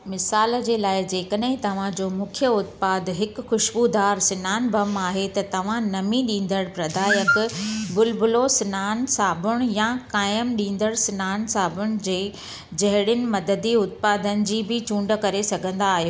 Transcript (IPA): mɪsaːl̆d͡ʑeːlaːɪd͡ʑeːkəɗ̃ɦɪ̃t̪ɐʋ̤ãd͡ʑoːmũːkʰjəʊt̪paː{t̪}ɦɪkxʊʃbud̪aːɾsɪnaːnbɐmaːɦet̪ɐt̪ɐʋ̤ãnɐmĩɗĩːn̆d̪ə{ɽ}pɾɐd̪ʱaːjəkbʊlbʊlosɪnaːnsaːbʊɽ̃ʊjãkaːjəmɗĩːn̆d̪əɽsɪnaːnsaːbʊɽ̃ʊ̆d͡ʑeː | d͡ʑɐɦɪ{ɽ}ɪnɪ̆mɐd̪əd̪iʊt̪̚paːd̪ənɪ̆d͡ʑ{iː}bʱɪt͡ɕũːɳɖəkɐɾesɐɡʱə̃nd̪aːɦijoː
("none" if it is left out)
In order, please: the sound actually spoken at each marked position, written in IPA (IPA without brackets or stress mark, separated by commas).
d̪, ɽ, ɽ, iː